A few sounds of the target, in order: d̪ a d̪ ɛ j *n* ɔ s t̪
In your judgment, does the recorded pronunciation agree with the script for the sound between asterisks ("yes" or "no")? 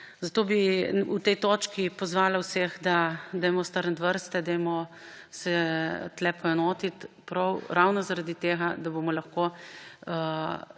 no